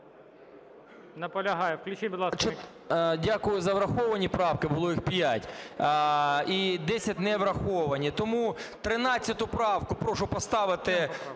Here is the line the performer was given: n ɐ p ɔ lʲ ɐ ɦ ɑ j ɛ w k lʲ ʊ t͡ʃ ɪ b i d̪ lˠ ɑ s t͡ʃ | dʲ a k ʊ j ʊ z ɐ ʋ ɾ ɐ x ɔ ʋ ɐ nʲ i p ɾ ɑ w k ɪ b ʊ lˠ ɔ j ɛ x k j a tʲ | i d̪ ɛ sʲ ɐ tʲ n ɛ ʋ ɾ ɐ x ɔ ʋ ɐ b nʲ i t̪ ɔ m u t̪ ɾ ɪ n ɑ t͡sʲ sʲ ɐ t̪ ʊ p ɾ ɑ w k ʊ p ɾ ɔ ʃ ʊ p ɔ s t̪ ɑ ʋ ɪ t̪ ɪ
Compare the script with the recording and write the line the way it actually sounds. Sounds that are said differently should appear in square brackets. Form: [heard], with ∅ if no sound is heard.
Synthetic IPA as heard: n ɐ p ɔ lʲ ɐ ɦ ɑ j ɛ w k lʲ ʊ t͡ʃ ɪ b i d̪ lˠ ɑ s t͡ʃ | dʲ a k ʊ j ʊ z ɐ ʋ ɾ ɐ x ɔ ʋ ɐ nʲ i p ɾ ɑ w k ɪ b ʊ lˠ ɔ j [i] x [p] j a tʲ | i d̪ ɛ sʲ ɐ tʲ n ɛ ʋ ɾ ɐ x ɔ ʋ ɐ [∅] nʲ i t̪ ɔ m u t̪ ɾ ɪ n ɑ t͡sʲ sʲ ɐ t̪ ʊ p ɾ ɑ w k ʊ p ɾ ɔ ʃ ʊ p ɔ s t̪ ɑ ʋ ɪ t̪ ɪ

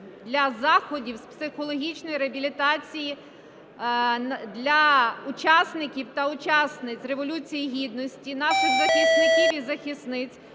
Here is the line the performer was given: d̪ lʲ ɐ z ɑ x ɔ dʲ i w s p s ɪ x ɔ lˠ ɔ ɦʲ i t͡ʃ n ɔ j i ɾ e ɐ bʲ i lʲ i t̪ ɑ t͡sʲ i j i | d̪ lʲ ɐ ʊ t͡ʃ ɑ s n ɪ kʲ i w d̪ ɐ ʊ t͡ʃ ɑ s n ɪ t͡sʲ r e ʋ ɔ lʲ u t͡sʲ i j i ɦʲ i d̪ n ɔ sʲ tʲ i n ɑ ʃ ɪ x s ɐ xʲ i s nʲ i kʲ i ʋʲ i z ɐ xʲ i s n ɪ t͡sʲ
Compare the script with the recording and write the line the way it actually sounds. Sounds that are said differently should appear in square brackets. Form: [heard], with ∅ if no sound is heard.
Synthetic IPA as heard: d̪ lʲ ɐ z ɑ x ɔ dʲ i w s p s ɪ x ɔ lˠ ɔ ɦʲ i t͡ʃ n ɔ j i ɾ e ɐ bʲ i lʲ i t̪ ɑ t͡sʲ i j i | d̪ lʲ ɐ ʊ t͡ʃ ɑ s n ɪ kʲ i w [t̪] ɐ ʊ t͡ʃ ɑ s n ɪ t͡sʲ r e ʋ ɔ lʲ u t͡sʲ i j i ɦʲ i d̪ n ɔ sʲ tʲ i n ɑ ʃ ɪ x [z] ɐ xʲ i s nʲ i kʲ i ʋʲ i z ɐ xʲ i s n ɪ t͡sʲ

